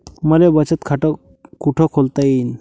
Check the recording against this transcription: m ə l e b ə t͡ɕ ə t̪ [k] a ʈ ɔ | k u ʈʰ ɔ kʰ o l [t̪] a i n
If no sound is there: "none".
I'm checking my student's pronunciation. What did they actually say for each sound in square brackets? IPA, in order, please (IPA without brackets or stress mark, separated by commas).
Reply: kʰ, t̪